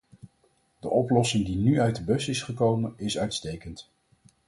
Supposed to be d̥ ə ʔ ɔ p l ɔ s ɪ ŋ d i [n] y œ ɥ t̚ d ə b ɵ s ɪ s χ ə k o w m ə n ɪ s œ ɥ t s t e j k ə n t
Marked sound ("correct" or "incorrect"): correct